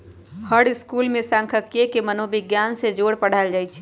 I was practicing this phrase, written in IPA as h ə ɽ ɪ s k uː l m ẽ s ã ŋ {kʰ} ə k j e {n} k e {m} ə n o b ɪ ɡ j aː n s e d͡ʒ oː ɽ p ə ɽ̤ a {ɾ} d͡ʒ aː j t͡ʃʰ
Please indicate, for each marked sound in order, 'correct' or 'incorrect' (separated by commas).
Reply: correct, incorrect, correct, incorrect